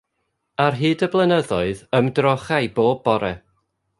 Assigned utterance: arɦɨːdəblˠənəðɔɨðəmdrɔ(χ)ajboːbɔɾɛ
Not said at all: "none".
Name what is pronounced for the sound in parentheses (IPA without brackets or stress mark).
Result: χ